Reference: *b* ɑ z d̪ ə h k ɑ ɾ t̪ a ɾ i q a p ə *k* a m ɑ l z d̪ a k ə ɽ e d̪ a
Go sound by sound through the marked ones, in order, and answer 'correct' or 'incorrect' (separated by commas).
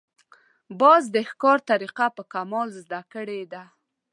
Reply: correct, correct